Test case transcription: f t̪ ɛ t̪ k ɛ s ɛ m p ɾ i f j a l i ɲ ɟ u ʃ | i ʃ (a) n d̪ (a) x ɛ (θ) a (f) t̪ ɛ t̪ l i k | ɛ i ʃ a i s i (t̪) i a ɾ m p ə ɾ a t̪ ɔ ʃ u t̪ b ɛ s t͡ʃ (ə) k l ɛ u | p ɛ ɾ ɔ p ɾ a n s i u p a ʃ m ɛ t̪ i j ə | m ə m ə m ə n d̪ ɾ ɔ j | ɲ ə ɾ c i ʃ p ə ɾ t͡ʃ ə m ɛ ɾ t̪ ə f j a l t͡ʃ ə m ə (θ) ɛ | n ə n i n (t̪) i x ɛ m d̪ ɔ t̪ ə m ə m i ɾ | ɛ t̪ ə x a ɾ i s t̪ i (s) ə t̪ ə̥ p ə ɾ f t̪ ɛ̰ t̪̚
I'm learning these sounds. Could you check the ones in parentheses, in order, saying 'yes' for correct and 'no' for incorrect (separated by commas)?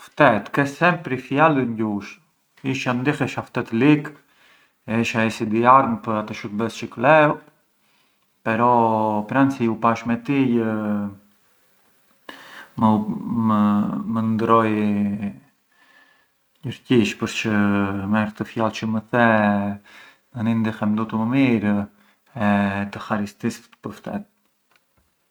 yes, no, no, yes, no, yes, yes, no, yes